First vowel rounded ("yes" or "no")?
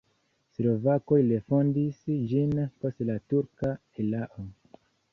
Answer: yes